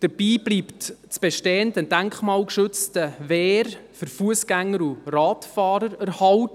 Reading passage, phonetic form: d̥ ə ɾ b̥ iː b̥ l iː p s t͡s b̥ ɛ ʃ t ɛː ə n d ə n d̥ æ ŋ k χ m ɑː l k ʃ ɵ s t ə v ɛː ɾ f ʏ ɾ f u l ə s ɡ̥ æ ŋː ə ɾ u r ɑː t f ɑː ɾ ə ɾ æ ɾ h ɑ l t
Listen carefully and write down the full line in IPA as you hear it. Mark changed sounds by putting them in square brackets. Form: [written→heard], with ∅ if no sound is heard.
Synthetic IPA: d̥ ə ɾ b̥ iː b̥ l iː p [s→t] t͡s b̥ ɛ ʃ t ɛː ə n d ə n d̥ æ ŋ k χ m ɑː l k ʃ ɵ [s→t͡s] t ə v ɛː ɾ f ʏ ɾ f u [l→∅] ə s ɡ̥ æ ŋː ə ɾ u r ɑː t f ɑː ɾ ə ɾ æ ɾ h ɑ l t

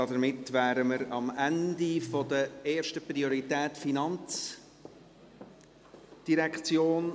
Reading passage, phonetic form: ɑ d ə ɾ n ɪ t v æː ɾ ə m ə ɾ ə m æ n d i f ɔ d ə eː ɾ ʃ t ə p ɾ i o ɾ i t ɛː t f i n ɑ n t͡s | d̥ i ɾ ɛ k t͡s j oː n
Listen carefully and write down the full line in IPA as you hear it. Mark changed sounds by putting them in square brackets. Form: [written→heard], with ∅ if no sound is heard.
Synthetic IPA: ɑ d ə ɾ [n→m] ɪ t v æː ɾ ə m ə ɾ [ə→ɑ] m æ n d i f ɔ d ə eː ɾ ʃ t ə p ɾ i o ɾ i t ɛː t f i n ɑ n t͡s | d̥ i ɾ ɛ k t͡s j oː n

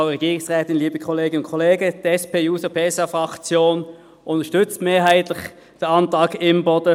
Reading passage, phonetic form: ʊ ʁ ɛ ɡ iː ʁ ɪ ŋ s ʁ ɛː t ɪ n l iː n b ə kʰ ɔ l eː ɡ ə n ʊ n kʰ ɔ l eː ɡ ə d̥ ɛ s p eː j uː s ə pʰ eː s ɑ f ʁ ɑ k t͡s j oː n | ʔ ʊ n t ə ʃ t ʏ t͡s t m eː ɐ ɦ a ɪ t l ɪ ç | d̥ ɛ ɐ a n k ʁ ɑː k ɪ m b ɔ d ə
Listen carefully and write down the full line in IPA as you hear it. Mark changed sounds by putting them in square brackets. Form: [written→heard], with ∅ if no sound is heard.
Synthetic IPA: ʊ ʁ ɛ ɡ iː ʁ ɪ ŋ s ʁ ɛː t ɪ n l iː [n→∅] b ə kʰ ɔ l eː ɡ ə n ʊ n kʰ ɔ l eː ɡ ə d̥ ɛ s p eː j uː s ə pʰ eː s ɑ f ʁ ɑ k t͡s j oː n | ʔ ʊ n t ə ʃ t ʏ t͡s t m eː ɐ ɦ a ɪ t l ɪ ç | d̥ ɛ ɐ [a→ɑ] n [k→t] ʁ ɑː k ɪ m b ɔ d ə

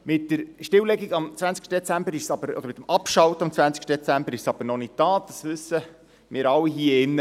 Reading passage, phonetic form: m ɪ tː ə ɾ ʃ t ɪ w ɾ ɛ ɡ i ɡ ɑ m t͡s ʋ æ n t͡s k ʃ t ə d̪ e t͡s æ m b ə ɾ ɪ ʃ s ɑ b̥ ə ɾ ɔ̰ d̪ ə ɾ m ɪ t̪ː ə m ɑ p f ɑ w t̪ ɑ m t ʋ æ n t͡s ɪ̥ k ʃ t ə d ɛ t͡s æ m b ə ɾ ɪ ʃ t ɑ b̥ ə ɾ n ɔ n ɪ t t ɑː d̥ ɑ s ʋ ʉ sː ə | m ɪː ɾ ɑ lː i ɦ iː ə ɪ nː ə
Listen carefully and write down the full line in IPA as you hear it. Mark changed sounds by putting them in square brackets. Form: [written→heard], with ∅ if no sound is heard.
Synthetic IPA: m ɪ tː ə ɾ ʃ t ɪ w [ɾ→l] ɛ ɡ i ɡ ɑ m t͡s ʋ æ n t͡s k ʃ t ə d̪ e t͡s æ m b ə ɾ ɪ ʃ s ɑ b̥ ə ɾ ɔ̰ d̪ ə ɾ m ɪ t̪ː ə m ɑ p [f→ʃ] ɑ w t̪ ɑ m [t→t͡s] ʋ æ n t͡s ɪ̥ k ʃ t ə d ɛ t͡s æ m b ə ɾ ɪ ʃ [t→s] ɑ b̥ ə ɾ n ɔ n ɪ t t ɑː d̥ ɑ s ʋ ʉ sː ə | m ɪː ɾ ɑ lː i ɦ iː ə ɪ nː ə

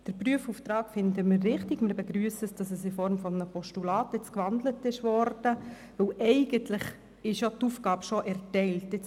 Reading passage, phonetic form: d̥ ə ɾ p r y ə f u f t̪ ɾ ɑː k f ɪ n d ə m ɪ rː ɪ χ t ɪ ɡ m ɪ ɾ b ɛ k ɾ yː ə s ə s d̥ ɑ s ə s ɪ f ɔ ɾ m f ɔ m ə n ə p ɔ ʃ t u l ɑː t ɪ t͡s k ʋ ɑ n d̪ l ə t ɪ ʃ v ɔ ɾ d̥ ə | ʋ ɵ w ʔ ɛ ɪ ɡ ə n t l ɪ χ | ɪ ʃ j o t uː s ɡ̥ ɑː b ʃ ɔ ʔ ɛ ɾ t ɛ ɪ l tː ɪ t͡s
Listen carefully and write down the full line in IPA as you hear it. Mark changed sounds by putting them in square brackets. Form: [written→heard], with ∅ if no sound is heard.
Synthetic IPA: d̥ ə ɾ p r y ə f u f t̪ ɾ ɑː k f ɪ n d ə m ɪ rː ɪ χ t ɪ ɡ m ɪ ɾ b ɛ [k→ɡ] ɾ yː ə s ə s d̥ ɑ s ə s ɪ f ɔ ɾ m f ɔ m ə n ə p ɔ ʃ t u l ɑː t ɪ t͡s k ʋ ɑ n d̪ l ə t ɪ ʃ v ɔ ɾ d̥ ə | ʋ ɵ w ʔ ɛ ɪ ɡ ə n t l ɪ χ | ɪ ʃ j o t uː [s→f] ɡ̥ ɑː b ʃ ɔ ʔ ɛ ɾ t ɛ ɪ l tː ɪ t͡s

